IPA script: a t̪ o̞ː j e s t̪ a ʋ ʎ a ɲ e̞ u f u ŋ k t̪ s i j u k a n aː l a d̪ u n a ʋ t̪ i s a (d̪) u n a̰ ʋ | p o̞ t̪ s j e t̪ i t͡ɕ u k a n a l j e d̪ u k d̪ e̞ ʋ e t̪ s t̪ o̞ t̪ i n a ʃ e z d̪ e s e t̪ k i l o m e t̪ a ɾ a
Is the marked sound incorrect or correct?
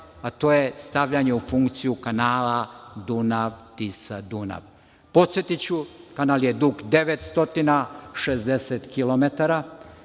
correct